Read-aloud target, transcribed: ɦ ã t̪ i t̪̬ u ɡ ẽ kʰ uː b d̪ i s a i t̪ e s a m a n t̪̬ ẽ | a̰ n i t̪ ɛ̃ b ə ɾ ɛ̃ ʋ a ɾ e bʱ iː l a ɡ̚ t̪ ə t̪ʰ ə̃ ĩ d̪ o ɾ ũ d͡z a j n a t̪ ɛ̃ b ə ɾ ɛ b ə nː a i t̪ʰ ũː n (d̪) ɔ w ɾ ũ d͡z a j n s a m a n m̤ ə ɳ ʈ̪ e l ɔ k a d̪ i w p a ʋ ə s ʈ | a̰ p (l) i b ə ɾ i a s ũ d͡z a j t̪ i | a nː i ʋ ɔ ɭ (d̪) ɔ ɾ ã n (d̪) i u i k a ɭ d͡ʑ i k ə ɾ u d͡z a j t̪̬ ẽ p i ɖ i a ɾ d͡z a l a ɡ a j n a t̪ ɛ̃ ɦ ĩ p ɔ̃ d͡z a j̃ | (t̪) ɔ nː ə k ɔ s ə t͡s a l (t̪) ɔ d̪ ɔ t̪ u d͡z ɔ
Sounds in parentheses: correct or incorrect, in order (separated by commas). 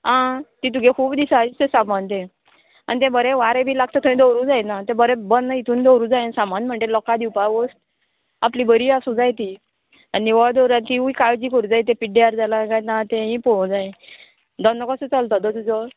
correct, correct, correct, incorrect, incorrect, correct